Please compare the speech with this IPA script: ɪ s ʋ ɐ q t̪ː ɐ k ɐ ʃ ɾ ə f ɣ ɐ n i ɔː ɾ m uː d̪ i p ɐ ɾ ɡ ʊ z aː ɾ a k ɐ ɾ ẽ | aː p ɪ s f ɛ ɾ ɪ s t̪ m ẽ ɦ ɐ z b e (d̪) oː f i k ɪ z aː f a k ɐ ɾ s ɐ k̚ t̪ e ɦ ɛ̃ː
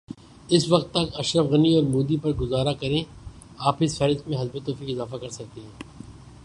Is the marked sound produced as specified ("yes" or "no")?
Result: no